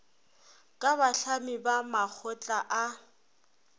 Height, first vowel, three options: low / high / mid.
low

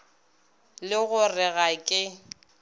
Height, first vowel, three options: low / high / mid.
high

